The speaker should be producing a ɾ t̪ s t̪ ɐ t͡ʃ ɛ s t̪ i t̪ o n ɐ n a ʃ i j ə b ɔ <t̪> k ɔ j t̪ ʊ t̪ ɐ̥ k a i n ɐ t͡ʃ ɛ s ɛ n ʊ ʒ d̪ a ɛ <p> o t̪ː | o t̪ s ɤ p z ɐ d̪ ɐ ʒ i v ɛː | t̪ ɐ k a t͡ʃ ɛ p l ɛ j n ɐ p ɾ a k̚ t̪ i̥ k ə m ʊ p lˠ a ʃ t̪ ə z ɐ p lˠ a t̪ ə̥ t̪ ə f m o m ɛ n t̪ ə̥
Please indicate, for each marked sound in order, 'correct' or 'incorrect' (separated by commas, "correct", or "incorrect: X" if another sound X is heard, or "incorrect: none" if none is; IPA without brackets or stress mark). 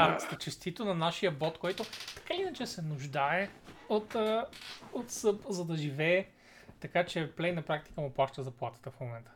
correct, incorrect: none